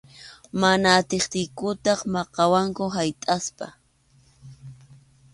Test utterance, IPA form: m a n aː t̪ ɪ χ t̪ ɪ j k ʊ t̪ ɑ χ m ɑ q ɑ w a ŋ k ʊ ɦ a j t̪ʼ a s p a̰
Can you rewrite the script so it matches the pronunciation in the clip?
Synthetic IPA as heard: m a n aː t̪ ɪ χ t̪ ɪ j k ʊ t̪ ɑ χ m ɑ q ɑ w a ŋ k ʊ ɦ a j t̪ʼ a s p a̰